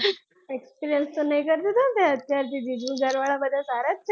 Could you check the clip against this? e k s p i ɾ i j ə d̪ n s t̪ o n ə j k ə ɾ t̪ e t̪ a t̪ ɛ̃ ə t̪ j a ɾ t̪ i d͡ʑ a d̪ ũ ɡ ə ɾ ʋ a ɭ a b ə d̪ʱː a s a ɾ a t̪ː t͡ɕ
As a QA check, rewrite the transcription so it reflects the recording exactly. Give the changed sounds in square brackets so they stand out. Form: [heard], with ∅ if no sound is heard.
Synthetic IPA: e k s p i ɾ i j ə [∅] n s t̪ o n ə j k ə ɾ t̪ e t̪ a t̪ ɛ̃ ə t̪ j a ɾ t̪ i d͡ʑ [i] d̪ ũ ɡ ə ɾ ʋ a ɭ a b ə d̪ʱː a s a ɾ a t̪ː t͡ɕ